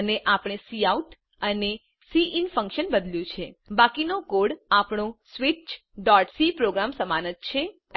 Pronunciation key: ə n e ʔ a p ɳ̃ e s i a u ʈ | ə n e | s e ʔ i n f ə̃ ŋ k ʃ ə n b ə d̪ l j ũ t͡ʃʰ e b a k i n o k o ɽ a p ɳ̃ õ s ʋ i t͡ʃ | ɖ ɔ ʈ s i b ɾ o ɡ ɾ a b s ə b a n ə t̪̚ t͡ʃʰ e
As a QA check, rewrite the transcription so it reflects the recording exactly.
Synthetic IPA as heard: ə n e ʔ a p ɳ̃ e s i a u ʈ | ə n e | s i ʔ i n f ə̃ ŋ k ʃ ə n b ə d̪ l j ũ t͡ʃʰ e b a k i n o k o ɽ a p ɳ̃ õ s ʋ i t͡ʃ | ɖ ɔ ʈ s i p ɾ o ɡ ɾ a m s ə m a n ə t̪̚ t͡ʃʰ e